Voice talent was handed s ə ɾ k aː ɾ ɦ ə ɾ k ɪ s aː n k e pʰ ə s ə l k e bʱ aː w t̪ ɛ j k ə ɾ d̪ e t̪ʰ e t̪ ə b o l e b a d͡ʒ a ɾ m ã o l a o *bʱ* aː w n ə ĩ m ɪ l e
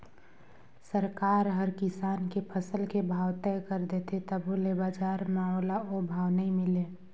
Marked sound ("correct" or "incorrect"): correct